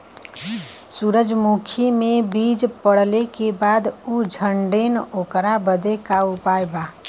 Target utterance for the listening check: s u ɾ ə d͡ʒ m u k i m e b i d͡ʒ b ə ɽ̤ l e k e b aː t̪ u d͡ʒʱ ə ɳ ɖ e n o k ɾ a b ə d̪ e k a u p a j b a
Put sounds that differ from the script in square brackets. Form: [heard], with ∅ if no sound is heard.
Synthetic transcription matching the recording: s u ɾ ə d͡ʒ m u [kʰ] i m e b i d͡ʒ [p] ə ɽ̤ l e k e b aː [d̪] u d͡ʒʱ ə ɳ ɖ e n o k ɾ a b ə d̪ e k a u p a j b a

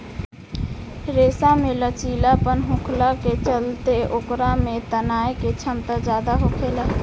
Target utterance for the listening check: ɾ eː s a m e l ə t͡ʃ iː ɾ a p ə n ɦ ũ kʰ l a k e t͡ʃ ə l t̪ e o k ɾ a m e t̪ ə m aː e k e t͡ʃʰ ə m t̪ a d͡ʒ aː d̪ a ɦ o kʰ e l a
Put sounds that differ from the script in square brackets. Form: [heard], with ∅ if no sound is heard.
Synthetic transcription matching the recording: ɾ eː s a m e l ə t͡ʃ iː [l] a p ə n ɦ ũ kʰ l a k e t͡ʃ ə l t̪ e o k ɾ a m e t̪ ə [n] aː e k e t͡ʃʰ ə m t̪ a d͡ʒ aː d̪ a ɦ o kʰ e l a

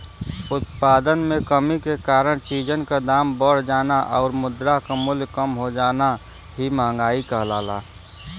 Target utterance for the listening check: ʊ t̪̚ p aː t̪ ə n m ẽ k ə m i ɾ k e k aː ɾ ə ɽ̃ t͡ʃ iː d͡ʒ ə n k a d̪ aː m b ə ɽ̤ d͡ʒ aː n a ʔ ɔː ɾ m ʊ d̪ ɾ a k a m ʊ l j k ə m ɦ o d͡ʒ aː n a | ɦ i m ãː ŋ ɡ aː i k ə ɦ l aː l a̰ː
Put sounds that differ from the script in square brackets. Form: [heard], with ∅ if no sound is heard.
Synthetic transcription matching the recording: ʊ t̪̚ p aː [d̪] ə n m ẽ k ə m i [∅] k e k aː ɾ ə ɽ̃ t͡ʃ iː d͡ʒ ə n k a d̪ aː m b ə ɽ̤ d͡ʒ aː n a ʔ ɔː ɾ m ʊ d̪ ɾ a k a m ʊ l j k ə m ɦ o d͡ʒ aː n a | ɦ i m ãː ŋ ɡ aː i k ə ɦ l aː l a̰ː

